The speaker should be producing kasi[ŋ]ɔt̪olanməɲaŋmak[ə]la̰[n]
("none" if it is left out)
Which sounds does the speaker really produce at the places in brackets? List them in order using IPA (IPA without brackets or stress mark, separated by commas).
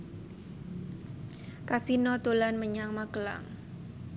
n, ə, ŋ